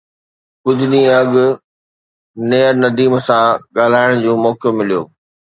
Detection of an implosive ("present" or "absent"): present